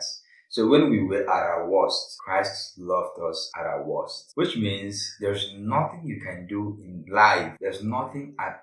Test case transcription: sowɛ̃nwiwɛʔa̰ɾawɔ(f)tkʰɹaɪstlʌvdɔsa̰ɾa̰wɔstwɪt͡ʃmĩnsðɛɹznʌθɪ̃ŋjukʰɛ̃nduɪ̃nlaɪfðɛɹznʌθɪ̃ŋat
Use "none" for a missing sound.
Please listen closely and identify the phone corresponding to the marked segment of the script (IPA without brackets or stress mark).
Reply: s